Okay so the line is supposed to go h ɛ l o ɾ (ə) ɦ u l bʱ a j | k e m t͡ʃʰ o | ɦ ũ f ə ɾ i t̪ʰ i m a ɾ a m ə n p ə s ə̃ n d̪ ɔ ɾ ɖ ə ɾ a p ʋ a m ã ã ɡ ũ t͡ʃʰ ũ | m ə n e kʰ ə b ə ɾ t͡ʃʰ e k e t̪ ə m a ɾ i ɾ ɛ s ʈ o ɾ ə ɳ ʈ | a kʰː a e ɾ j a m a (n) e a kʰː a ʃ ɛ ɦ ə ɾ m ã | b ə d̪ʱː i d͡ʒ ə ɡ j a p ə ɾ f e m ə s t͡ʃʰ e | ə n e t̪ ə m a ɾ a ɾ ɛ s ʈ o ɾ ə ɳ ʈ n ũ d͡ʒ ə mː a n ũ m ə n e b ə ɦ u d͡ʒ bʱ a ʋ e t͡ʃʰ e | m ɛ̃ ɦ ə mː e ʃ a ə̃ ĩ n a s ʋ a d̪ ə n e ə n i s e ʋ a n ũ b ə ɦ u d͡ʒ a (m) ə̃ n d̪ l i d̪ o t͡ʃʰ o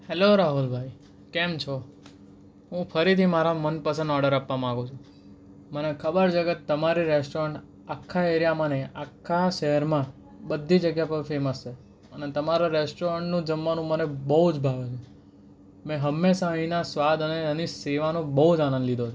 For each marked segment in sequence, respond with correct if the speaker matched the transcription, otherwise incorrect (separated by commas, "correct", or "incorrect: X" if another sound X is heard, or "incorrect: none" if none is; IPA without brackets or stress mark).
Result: incorrect: a, correct, incorrect: n